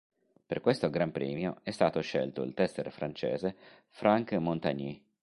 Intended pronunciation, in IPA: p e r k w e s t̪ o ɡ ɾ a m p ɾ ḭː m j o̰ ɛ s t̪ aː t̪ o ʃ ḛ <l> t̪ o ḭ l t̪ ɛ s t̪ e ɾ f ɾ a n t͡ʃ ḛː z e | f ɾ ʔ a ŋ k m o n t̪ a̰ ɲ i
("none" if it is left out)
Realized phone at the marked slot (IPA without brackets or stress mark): l